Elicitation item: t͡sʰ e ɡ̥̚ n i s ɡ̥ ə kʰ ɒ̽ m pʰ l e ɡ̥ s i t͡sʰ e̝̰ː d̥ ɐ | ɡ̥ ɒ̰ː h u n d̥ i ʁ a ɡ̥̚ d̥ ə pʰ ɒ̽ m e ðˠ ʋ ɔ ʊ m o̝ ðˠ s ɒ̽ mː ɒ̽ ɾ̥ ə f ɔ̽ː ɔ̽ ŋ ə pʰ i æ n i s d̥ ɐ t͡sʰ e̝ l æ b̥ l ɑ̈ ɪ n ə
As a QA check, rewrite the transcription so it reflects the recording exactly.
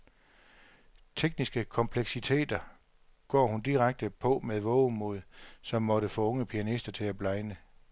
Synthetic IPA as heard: t͡sʰ e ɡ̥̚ n i s ɡ̥ ə kʰ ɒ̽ m pʰ l e ɡ̥ s i t͡sʰ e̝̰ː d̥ ɐ | ɡ̥ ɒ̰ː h u n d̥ i ʁ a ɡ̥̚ d̥ ə pʰ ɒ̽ m e ðˠ ʋ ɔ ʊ m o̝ ðˠ s ɒ̽ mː ɒ̽ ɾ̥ ə f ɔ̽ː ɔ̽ ŋ ə pʰ i æ n i s d̥ ɐ t͡sʰ e̝ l æ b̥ l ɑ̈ ɪ n ə

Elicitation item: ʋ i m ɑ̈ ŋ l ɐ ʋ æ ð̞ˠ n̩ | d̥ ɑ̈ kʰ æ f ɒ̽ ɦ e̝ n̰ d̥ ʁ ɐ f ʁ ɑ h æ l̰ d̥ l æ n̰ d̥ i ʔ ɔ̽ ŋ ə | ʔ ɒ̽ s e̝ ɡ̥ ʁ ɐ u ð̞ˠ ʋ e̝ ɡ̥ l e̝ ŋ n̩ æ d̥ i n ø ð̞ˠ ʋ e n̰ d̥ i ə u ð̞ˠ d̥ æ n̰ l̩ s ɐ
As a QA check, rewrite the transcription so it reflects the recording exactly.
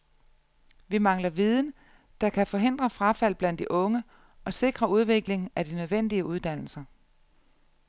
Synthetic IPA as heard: ʋ i m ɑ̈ ŋ l ɐ ʋ i ð̞ˠ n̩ | d̥ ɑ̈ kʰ æ f ɒ̽ ɦ e̝ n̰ d̥ ʁ ɐ f ʁ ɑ f æ l̰ b̥ l æ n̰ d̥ i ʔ ɔ̽ ŋ ə | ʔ ɒ̽ s e̝ ɡ̥ ʁ ɐ u ð̞ˠ ʋ e̝ ɡ̥ l e̝ ŋ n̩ æ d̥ i n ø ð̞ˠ ʋ e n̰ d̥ i ə u ð̞ˠ d̥ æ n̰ l̩ s ɐ

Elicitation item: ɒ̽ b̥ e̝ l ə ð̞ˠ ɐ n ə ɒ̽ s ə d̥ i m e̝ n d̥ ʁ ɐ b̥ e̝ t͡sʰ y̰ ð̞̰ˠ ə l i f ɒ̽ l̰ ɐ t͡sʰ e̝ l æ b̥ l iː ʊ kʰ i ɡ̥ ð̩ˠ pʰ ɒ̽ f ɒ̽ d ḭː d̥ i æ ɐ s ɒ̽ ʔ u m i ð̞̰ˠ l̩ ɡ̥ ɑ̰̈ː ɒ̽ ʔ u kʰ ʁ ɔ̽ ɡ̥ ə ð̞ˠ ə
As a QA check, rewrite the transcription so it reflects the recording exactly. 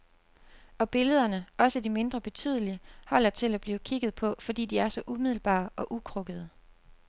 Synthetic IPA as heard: ɒ̽ b̥ e̝ l ə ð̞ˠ ɐ n ə ɒ̽ s ə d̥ i m e̝ n d̥ ʁ ɐ b̥ e̝ t͡sʰ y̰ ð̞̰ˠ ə l i h ɒ̽ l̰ ɐ t͡sʰ e̝ l æ b̥ l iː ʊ kʰ i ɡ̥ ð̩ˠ pʰ ɒ̽ f ɒ̽ d ḭː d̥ i æ ɐ s ɒ̽ ʔ u m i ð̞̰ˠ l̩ b̥ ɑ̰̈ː ɒ̽ ʔ u kʰ ʁ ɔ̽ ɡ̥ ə ð̞ˠ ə

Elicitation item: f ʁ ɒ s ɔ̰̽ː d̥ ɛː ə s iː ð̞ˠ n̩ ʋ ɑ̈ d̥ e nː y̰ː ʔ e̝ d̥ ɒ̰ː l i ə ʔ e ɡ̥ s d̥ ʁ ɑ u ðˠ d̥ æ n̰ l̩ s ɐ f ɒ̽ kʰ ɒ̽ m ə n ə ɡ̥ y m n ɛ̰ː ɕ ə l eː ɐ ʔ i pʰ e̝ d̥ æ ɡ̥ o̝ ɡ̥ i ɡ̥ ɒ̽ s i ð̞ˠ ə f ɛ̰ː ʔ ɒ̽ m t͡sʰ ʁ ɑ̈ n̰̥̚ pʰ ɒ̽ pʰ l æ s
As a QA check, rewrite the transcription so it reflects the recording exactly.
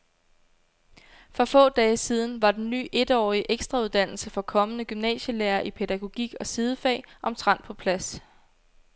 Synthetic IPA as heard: f ʁ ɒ f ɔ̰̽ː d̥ ɛː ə s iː ð̞ˠ n̩ ʋ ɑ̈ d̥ e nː y̰ː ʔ e̝ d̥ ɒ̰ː i ə ʔ e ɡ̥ s d̥ ʁ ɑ u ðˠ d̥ æ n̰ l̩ s ə f ɒ̽ kʰ ɒ̽ m ə n ə ɡ̥ y m n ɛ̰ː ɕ ə l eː ɐ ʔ i pʰ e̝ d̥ æ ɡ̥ o̝ ɡ̥ i ɡ̥ ɒ̽ s i ð̞ˠ ə f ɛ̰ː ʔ ɒ̽ m t͡sʰ ʁ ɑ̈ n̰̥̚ pʰ ɒ̽ pʰ l æ s

